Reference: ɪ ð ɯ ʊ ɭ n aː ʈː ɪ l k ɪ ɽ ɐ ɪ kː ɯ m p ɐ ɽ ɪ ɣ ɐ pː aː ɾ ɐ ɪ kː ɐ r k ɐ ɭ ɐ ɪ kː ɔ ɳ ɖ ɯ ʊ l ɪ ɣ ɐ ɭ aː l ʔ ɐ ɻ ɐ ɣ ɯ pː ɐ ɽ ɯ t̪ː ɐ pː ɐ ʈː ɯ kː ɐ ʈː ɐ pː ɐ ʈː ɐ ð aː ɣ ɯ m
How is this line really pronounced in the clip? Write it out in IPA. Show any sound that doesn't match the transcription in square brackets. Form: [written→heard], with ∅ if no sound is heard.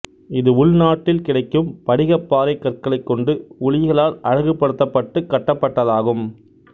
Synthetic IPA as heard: ɪ ð ɯ ʊ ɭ n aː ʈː ɪ l k ɪ ɽ ɐ ɪ kː ɯ m p ɐ ɽ ɪ ɣ ɐ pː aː ɾ ɐ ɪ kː ɐ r k ɐ ɭ ɐ ɪ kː ɔ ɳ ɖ ɯ ʊ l ɪ ɣ ɐ ɭ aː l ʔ ɐ ɻ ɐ ɣ ɯ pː ɐ ɽ ɯ t̪ː ɐ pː ɐ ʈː ɯ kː ɐ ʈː ɐ pː ɐ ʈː ɐ ð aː ɣ ɯ m